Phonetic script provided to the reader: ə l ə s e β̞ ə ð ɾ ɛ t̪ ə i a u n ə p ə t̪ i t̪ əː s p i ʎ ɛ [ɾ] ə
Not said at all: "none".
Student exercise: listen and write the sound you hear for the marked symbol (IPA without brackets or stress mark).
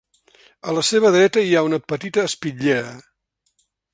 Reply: ɾ